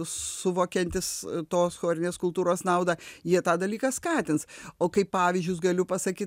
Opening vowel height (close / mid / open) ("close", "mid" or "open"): close